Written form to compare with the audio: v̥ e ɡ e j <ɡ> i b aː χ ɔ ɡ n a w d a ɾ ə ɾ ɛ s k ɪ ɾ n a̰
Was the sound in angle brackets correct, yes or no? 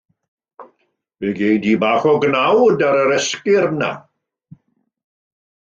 no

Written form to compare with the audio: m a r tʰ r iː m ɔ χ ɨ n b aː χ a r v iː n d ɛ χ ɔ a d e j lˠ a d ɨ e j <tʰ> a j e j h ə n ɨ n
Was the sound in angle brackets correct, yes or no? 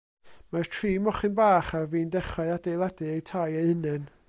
yes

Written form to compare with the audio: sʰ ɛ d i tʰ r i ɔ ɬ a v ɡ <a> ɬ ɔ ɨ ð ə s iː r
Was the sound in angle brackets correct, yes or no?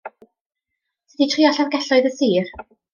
no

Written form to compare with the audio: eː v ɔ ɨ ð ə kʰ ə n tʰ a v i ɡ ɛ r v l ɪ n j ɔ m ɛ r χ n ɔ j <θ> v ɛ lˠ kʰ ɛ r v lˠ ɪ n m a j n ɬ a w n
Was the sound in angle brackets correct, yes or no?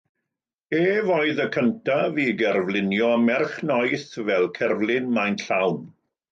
yes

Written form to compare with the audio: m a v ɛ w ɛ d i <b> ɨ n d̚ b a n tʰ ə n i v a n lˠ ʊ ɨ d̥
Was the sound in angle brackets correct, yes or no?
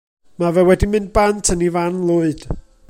no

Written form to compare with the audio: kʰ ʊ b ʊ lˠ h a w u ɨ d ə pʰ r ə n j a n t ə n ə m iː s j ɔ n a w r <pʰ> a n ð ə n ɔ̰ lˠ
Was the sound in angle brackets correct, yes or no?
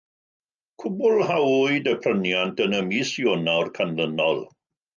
no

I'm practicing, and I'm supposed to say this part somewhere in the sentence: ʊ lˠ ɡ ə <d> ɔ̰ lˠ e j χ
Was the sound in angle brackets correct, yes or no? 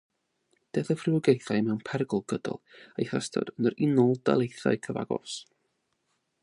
yes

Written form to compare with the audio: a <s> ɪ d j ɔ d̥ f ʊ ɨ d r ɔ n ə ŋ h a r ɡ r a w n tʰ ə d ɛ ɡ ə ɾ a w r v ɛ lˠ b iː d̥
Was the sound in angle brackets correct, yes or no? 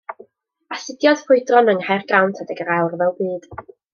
yes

